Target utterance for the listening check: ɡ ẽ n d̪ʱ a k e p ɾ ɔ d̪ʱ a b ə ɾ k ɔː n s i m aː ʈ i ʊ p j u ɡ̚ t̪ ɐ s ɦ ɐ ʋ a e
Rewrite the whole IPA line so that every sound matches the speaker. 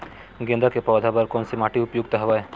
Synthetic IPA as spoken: ɡ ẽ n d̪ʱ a k e p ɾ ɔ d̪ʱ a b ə ɾ k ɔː n s i m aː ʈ i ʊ p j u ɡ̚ t̪ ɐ ɦ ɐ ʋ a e